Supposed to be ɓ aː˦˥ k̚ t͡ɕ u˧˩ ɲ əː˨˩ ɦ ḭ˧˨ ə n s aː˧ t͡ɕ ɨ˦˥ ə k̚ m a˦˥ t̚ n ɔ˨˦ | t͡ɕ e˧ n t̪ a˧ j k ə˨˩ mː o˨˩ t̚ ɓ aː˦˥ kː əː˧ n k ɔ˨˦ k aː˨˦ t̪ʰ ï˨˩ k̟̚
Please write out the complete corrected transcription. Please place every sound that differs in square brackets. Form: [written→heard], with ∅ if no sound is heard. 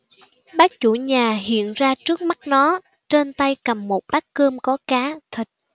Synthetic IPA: ɓ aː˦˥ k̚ t͡ɕ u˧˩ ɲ [əː˨˩→aː˨˩] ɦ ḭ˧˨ ə n [s→z] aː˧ t͡ɕ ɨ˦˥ ə k̚ m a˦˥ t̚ n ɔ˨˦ | t͡ɕ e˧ n t̪ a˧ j k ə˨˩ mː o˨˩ t̚ ɓ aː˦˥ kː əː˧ [n→m] k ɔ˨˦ k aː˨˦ t̪ʰ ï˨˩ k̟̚